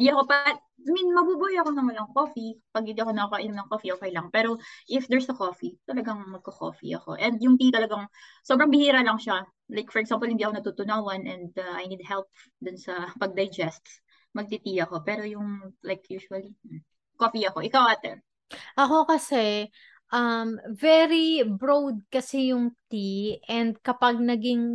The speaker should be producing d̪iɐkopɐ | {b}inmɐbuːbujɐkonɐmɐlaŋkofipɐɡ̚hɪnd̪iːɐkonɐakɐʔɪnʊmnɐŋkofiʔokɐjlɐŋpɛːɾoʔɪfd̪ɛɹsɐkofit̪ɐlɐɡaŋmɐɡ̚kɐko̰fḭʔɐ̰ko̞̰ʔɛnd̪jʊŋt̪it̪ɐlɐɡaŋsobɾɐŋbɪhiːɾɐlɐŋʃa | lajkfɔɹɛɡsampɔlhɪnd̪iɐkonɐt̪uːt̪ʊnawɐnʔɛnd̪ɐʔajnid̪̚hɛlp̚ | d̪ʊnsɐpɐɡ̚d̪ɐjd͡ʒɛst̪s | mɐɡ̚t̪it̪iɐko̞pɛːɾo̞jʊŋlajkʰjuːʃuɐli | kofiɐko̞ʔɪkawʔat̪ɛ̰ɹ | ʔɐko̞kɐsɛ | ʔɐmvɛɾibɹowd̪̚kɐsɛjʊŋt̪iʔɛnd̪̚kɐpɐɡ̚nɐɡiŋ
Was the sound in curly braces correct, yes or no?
no